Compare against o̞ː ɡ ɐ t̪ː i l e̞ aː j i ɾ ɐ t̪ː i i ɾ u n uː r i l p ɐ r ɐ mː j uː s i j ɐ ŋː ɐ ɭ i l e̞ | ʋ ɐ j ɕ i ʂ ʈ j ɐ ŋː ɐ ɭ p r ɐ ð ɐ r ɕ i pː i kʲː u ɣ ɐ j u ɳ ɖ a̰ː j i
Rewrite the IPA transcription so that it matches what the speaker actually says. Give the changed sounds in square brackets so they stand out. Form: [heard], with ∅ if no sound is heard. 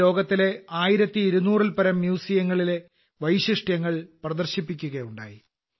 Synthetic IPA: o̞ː ɡ ɐ t̪ː i l e̞ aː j i ɾ ɐ t̪ː i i ɾ u n uː r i l p ɐ [ɾ] ɐ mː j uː s i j ɐ ŋː ɐ ɭ i l e̞ | ʋ ɐ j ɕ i ʂ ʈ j ɐ ŋː ɐ ɭ p r ɐ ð ɐ r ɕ i pː i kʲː u ɣ ɐ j u ɳ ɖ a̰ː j i